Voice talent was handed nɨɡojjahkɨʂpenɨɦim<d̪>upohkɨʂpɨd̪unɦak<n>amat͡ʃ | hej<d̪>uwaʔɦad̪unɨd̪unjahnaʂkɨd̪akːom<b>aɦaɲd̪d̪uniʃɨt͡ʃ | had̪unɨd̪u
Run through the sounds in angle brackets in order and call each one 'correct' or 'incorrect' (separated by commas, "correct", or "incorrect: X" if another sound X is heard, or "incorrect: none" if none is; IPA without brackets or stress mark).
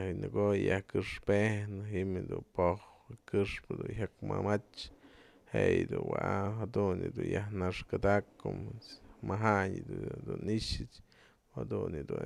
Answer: correct, incorrect: m, correct, incorrect: m